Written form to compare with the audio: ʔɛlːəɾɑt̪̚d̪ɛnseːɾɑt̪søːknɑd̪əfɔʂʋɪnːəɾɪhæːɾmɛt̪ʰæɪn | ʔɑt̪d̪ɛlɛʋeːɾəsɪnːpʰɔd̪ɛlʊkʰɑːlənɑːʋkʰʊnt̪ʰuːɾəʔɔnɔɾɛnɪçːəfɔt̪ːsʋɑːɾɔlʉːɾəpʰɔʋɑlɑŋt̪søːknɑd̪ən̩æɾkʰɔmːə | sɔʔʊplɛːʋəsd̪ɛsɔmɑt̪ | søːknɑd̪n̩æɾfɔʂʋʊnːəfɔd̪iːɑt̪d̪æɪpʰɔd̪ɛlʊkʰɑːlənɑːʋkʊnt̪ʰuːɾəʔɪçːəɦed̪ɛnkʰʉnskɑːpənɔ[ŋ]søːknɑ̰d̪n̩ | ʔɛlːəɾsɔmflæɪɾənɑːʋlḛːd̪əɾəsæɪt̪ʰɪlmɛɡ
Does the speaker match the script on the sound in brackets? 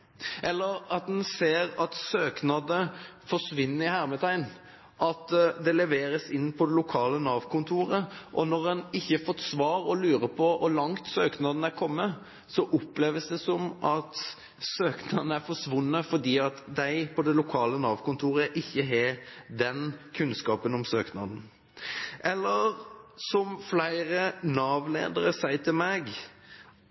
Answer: no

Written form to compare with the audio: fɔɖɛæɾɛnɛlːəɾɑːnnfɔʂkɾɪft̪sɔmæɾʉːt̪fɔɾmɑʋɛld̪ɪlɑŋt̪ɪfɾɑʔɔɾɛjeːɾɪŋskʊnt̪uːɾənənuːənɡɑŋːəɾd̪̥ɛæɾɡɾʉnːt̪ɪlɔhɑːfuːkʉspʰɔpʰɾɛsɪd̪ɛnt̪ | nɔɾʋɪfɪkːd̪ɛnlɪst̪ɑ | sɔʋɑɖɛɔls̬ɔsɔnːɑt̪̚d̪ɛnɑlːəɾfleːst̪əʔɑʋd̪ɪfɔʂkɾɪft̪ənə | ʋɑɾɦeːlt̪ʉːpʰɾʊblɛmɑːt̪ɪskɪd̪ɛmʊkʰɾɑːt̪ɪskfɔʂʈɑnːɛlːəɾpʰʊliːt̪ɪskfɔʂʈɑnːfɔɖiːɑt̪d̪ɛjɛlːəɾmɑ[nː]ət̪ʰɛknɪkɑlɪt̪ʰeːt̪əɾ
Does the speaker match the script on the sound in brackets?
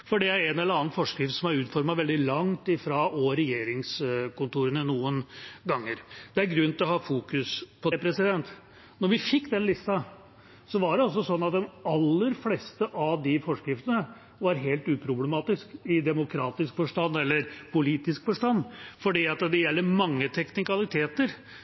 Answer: no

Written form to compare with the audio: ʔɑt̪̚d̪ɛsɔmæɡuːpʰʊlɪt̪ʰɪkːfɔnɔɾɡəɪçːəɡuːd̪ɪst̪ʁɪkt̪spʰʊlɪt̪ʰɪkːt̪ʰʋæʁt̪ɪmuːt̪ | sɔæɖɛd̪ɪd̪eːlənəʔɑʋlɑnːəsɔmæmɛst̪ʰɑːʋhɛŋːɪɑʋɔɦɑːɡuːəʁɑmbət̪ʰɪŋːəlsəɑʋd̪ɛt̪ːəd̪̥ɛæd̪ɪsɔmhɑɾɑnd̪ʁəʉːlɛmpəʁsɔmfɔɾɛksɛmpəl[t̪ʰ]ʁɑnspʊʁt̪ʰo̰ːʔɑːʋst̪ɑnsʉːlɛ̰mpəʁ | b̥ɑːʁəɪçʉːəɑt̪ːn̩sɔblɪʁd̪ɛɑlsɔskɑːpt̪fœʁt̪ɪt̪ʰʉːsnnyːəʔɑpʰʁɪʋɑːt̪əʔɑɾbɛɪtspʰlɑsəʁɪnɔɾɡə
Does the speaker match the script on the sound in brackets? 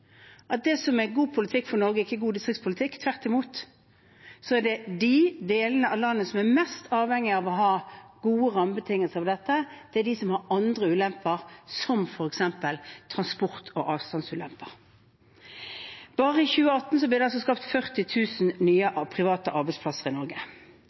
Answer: yes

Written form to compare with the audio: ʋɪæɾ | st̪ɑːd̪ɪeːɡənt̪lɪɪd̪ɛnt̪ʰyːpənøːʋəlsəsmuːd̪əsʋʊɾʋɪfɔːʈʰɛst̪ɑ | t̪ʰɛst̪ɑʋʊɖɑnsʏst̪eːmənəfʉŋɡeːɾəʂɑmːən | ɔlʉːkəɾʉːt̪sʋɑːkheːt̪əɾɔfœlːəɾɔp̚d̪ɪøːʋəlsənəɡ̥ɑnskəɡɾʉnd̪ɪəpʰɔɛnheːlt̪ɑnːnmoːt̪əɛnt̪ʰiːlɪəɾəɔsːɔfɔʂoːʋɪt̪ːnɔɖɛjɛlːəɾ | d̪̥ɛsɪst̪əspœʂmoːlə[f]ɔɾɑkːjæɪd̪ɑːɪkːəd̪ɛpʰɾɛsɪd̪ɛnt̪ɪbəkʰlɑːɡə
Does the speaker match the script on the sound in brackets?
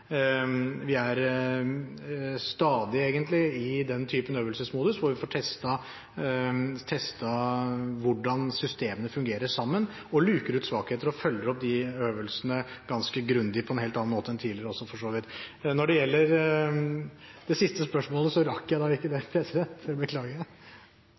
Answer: no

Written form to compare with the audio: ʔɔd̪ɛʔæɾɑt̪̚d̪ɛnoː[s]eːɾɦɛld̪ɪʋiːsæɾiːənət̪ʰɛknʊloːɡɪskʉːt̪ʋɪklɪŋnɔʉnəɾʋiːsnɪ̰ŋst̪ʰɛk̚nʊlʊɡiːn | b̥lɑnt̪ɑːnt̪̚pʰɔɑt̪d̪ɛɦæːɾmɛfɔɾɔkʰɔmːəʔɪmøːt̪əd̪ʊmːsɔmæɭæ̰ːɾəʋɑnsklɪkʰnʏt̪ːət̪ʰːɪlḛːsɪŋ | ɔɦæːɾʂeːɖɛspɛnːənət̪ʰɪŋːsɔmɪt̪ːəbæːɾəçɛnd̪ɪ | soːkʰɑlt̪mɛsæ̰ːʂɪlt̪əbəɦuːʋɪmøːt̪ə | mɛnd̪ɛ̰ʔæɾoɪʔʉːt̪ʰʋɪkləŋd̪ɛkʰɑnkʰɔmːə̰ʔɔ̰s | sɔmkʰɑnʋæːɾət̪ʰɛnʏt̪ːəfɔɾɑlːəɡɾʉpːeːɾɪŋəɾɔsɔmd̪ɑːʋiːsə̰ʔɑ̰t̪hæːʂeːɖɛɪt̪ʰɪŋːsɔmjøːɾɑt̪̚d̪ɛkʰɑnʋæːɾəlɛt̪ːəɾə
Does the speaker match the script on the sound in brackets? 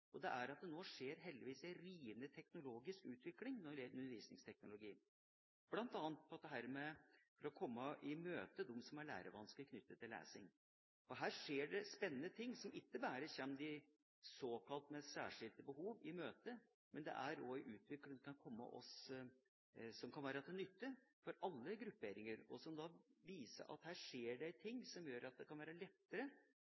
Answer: no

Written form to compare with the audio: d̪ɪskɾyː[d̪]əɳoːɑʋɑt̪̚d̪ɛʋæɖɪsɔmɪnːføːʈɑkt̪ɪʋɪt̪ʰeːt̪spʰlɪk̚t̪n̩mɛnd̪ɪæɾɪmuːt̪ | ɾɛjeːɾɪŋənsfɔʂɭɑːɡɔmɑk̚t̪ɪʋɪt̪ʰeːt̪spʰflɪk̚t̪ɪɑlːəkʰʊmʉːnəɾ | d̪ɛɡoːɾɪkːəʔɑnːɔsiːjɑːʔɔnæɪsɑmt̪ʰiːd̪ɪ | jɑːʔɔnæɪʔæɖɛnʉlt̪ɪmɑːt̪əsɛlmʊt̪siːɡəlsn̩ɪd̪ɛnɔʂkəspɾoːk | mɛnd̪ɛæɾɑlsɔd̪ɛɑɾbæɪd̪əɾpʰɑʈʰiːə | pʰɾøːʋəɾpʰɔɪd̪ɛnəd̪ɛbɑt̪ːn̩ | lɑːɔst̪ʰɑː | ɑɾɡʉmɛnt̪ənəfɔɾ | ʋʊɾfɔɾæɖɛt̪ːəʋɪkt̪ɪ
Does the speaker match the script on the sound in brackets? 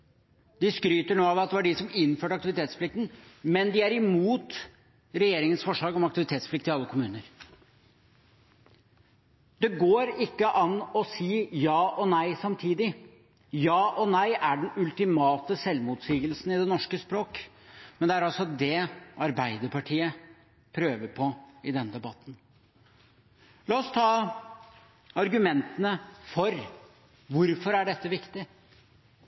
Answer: no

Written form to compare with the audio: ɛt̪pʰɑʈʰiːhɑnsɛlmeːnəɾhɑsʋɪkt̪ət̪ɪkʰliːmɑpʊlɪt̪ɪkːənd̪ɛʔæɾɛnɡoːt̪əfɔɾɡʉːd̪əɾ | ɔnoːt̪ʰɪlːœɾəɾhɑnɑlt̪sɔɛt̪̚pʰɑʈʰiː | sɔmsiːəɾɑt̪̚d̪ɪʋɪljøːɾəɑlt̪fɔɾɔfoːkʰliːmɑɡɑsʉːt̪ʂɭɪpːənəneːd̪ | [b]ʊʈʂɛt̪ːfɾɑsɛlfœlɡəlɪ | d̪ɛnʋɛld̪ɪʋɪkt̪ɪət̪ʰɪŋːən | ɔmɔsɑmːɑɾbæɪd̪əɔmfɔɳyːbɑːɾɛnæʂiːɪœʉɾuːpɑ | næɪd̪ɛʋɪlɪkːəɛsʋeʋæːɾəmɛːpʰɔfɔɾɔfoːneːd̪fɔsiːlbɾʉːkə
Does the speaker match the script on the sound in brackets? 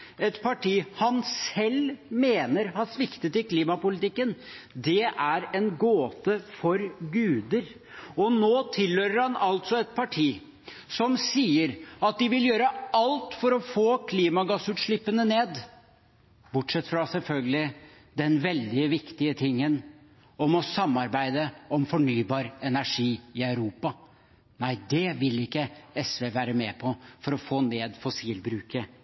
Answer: yes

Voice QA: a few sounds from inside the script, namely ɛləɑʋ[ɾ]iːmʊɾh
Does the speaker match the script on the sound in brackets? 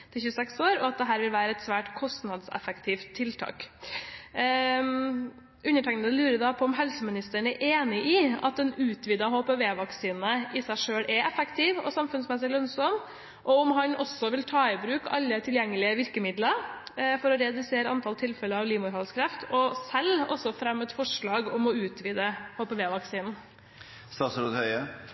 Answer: no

